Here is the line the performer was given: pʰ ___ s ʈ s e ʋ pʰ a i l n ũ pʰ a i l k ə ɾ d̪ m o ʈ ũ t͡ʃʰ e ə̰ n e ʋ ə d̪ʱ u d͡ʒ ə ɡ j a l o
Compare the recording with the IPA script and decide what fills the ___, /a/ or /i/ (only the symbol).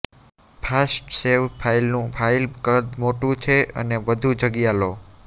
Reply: a